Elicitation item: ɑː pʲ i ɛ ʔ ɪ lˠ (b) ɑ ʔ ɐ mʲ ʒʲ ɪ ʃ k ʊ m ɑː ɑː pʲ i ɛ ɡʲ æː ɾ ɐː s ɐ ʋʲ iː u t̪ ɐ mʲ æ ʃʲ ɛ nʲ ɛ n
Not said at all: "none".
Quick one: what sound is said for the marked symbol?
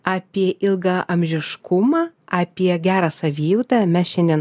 ɡ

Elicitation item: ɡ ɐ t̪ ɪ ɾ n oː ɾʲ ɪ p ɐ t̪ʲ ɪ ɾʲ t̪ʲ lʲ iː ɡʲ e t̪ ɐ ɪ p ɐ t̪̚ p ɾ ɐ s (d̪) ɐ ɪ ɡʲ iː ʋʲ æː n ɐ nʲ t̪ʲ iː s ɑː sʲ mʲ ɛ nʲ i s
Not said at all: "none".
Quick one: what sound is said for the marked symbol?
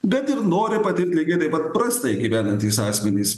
t̪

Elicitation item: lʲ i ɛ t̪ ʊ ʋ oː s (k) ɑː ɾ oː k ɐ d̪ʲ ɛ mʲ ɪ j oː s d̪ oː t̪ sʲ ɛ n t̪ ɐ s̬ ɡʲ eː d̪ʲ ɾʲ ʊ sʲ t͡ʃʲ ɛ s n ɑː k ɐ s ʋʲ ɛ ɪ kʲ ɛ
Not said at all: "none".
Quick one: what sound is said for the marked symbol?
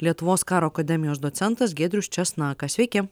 k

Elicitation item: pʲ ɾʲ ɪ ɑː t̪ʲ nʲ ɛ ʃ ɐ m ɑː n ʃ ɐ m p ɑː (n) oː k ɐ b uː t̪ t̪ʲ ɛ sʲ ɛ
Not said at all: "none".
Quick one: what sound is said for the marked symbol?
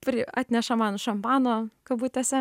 n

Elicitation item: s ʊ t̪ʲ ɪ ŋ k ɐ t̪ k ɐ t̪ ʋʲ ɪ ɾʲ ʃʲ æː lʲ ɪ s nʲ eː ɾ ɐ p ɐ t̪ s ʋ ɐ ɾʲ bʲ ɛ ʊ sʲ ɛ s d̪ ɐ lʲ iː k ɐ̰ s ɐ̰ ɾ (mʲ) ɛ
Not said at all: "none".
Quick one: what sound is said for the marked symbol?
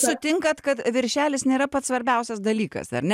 nʲ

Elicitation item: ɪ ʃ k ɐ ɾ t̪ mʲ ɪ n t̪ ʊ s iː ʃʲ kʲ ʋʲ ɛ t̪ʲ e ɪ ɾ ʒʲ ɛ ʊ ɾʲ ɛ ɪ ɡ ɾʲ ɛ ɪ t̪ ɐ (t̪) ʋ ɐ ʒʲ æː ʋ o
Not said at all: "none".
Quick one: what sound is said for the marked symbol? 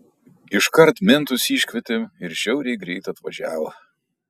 t̪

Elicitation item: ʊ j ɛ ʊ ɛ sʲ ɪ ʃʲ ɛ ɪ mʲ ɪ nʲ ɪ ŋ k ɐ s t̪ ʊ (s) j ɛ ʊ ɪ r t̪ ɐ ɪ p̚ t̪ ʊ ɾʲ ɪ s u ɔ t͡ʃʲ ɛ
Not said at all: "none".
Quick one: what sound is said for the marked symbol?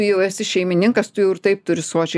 none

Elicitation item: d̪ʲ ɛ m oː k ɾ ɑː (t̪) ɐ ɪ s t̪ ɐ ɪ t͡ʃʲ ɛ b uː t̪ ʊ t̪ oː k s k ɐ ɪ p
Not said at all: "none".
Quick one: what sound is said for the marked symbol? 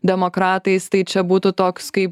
t̪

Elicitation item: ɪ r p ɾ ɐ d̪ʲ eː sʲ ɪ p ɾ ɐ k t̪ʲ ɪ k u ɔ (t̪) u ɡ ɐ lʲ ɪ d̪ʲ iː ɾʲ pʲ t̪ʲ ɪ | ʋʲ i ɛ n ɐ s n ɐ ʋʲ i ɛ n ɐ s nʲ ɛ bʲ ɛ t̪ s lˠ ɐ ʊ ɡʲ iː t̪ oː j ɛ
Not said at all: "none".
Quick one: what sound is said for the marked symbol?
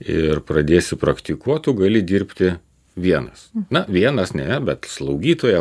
t̪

